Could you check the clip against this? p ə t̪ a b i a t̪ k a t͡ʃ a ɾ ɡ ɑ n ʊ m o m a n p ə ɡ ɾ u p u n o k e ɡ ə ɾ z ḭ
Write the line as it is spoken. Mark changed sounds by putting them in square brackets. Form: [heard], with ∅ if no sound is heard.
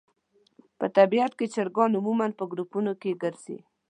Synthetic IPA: p ə t̪ a b i a t̪ k [e] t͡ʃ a ɾ ɡ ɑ n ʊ m [u] m a n p ə ɡ ɾ u p u n o k e ɡ ə ɾ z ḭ